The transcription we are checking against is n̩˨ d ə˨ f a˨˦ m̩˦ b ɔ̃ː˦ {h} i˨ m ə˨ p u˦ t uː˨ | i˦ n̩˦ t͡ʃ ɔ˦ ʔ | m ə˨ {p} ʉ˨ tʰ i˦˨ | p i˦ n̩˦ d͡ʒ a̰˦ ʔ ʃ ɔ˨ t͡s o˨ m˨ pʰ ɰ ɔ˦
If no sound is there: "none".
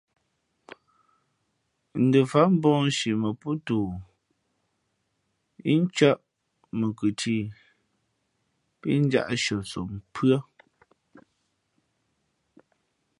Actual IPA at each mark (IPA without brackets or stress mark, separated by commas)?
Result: ʃ, k